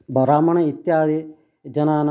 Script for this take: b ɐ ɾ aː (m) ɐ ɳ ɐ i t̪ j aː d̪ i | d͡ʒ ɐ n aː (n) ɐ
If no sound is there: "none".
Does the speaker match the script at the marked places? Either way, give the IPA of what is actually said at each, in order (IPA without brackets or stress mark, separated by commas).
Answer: m, n